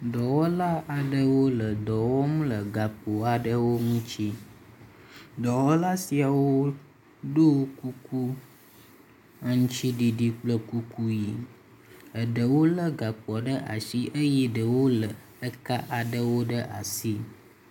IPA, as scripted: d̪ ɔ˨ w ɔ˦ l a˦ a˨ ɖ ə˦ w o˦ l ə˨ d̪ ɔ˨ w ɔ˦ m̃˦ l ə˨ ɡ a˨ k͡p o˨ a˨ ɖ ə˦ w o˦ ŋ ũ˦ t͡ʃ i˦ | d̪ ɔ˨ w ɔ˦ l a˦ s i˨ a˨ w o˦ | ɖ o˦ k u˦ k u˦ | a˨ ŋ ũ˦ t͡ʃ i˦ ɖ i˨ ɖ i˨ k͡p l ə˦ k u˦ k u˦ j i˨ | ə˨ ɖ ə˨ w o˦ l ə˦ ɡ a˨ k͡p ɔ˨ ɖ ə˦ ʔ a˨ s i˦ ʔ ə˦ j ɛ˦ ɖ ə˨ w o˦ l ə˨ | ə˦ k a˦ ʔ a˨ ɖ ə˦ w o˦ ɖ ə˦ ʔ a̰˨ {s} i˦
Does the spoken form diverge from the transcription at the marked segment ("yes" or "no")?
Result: no